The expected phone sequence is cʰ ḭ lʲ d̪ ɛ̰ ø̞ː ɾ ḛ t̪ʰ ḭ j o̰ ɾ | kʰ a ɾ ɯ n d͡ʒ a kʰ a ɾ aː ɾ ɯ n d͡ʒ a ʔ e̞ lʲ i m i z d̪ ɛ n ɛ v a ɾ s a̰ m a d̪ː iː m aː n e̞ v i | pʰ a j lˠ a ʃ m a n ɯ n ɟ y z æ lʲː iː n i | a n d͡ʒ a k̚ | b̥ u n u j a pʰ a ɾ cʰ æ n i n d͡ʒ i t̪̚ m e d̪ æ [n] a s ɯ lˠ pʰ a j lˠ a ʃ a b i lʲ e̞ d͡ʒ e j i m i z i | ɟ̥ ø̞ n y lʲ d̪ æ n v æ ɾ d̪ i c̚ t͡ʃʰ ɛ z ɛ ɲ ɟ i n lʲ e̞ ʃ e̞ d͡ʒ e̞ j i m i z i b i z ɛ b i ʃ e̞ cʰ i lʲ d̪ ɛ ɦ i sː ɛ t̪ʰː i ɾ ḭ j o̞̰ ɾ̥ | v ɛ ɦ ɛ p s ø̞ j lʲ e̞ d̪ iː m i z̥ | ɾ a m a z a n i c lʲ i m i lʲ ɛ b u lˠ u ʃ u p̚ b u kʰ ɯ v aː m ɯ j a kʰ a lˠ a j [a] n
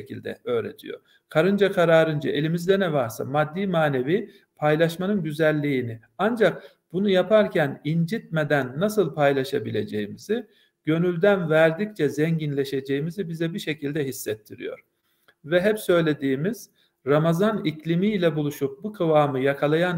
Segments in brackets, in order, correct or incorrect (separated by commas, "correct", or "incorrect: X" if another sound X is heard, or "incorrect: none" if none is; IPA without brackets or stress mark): incorrect: nː, correct